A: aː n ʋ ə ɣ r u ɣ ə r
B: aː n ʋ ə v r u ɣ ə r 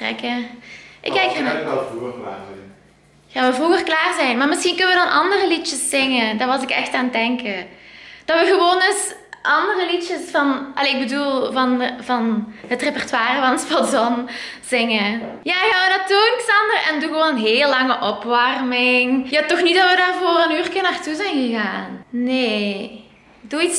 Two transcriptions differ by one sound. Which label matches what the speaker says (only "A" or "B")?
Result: B